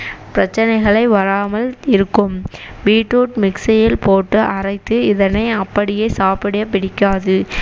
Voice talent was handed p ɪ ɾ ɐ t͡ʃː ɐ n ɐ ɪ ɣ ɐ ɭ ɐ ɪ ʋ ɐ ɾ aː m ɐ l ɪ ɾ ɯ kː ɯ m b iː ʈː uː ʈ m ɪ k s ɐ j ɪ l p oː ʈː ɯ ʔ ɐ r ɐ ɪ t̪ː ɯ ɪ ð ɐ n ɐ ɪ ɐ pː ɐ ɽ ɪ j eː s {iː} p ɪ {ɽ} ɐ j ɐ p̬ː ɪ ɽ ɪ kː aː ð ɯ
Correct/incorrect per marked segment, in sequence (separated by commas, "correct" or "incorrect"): incorrect, correct